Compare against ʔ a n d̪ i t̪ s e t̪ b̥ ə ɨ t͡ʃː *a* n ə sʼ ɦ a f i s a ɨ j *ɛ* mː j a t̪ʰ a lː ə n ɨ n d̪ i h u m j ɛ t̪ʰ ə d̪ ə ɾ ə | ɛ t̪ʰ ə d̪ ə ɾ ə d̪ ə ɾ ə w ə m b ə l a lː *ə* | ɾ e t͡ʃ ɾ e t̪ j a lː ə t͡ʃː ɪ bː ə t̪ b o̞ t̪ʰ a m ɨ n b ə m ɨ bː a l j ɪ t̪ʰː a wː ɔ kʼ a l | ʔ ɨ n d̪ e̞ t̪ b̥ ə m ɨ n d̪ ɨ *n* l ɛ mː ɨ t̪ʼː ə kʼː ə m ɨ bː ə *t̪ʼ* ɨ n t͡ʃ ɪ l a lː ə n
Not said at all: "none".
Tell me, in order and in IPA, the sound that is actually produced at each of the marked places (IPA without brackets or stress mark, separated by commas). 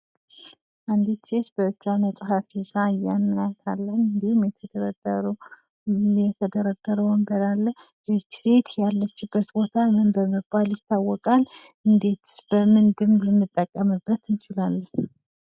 a, a, ə, m, t̪